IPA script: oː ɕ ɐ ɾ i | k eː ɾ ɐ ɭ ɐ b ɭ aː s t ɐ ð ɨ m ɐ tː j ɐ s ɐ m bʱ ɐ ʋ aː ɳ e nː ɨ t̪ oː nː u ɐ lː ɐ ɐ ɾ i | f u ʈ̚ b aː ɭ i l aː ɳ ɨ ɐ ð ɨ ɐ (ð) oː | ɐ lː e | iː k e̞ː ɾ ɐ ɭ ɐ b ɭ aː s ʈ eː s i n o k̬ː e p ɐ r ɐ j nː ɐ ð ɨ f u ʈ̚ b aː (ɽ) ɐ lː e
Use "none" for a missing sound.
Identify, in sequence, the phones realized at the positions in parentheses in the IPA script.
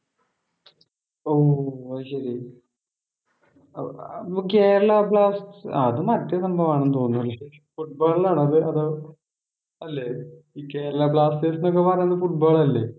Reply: ð, ɭ

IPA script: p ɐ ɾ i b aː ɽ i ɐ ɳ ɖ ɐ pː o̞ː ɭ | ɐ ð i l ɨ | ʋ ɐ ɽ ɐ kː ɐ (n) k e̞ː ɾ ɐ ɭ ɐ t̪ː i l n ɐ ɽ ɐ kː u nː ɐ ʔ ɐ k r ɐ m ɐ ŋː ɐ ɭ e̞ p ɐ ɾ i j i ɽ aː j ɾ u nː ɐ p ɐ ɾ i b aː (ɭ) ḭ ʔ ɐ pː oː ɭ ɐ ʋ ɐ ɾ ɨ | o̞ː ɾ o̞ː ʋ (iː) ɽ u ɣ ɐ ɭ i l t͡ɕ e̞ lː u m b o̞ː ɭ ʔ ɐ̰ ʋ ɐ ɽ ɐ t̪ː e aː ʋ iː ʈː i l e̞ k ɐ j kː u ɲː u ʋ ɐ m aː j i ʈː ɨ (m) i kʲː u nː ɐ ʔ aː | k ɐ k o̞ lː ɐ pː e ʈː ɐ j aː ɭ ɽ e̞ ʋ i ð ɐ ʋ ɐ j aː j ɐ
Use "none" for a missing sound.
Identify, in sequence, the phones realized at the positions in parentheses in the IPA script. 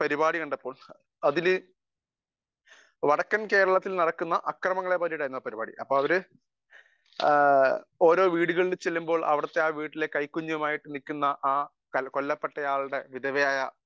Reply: n, ɽ, iː, n

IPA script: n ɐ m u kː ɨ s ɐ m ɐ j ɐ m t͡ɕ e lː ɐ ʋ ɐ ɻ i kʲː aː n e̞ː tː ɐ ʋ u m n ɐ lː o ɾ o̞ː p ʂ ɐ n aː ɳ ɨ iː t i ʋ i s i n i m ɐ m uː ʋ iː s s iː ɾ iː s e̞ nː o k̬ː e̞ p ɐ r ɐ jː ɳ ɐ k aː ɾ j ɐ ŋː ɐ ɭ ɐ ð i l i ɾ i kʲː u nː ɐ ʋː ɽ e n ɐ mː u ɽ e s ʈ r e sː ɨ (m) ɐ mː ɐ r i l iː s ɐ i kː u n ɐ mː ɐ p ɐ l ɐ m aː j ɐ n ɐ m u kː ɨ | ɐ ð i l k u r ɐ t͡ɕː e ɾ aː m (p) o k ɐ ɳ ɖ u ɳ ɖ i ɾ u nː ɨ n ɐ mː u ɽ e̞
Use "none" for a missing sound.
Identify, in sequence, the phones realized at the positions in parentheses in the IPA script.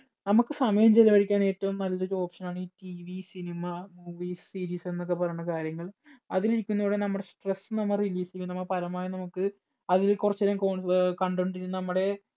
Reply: n, k

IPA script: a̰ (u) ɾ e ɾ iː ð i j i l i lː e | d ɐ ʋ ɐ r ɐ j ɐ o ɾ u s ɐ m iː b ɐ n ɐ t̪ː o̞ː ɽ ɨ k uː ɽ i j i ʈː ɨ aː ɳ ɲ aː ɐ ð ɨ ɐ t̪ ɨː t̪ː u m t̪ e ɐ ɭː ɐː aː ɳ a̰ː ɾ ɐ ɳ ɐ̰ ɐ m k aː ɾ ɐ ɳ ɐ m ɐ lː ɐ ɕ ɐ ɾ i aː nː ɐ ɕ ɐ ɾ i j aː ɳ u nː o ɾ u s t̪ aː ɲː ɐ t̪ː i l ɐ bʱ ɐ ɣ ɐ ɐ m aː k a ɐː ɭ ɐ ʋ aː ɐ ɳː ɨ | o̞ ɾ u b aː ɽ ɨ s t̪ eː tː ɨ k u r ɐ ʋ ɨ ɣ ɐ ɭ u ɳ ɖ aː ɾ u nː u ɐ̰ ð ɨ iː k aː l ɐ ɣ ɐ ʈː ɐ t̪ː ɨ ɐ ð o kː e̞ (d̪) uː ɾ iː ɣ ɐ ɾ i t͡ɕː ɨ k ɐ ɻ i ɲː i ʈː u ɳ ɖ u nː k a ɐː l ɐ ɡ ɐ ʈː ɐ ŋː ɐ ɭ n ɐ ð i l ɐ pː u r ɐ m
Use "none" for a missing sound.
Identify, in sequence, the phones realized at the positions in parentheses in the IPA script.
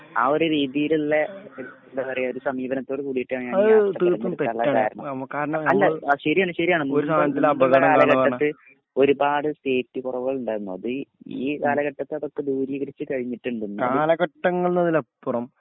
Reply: o, d̪

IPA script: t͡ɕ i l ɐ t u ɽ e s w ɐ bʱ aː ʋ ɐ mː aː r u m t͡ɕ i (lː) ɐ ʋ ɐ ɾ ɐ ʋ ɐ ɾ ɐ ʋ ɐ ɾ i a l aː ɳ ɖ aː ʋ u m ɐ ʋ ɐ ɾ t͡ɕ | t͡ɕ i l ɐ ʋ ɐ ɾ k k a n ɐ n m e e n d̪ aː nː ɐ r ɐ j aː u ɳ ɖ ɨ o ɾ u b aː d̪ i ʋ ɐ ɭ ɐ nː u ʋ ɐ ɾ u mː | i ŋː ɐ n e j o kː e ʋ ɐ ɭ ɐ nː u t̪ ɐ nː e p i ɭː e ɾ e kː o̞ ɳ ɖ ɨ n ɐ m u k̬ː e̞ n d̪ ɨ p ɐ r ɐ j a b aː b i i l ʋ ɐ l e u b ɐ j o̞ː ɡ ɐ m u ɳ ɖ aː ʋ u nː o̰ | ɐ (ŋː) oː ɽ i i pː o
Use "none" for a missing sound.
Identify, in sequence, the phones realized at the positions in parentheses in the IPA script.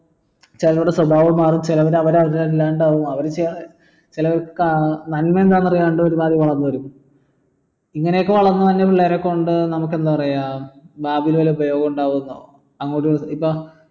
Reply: l, ŋː

